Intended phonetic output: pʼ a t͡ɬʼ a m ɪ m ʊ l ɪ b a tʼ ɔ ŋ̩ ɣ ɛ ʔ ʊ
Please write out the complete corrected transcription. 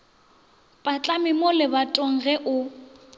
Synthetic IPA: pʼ a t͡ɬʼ a m ɪ m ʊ l ɪ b a tʼ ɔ ŋ̩ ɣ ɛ ʔ ʊ